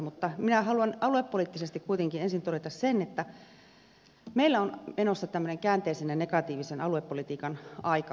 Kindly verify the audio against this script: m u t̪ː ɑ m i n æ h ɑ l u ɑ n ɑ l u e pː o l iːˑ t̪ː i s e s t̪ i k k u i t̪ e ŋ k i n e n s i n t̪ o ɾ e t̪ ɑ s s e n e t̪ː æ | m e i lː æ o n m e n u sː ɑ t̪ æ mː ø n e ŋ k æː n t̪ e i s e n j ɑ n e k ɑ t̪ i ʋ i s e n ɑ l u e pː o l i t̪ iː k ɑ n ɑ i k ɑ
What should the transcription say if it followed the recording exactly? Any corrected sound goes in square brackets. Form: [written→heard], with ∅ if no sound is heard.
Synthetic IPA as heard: m u t̪ː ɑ m i n æ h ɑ l u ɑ n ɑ l u e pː o l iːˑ t̪ː i s e s t̪ i k k u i t̪ e ŋ k i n e n s i n t̪ o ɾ e t̪ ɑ s s e n e t̪ː æ | m e i lː æ o n m e n [u→o] sː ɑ t̪ æ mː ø n e ŋ k æː n t̪ e i s e n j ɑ n e k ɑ t̪ [i→iː] ʋ i s e n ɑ l u e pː o l i t̪ iː k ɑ n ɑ i k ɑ